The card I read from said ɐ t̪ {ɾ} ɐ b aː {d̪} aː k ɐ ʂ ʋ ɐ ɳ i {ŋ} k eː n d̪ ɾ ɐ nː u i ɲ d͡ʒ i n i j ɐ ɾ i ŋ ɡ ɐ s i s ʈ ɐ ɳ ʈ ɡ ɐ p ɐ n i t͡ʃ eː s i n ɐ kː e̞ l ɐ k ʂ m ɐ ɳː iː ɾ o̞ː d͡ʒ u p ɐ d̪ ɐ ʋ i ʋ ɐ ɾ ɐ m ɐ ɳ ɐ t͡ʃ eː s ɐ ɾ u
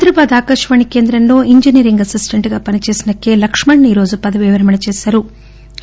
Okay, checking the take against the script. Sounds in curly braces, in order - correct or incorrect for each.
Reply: correct, correct, incorrect: none

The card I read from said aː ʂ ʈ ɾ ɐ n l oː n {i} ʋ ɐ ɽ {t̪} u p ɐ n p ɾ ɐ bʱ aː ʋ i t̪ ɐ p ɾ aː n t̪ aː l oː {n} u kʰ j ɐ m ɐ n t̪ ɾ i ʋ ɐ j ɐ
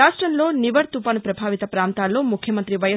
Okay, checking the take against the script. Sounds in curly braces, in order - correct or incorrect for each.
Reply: correct, correct, incorrect: m

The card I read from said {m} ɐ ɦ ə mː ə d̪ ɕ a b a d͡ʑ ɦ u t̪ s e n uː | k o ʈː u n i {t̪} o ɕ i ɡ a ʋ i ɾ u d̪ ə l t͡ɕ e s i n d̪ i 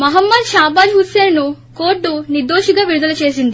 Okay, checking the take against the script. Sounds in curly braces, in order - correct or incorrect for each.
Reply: correct, incorrect: d̪

